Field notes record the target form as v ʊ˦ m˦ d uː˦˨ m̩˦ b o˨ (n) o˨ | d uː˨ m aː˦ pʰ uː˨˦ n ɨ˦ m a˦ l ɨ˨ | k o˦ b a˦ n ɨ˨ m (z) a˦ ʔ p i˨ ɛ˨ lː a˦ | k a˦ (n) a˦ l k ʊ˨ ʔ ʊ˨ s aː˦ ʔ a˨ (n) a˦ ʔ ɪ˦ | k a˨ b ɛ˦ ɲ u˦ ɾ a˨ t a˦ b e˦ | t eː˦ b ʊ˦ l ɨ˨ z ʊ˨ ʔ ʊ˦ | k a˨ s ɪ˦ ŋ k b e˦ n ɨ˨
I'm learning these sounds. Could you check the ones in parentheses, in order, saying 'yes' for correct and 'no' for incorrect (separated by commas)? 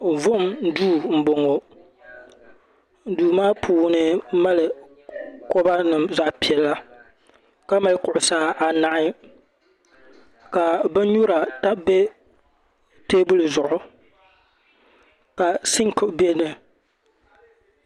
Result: no, yes, no, yes